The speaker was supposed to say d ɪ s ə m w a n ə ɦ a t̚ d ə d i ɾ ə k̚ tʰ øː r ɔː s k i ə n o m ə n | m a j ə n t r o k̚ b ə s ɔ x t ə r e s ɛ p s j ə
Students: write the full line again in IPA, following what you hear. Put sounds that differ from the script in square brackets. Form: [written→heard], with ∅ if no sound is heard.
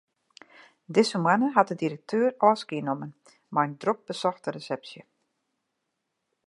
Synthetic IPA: d ɪ s ə m w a n ə ɦ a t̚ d ə d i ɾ ə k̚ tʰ øː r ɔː s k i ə n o m ə n | m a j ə n [t→d] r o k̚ b ə s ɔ x t ə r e s ɛ p s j ə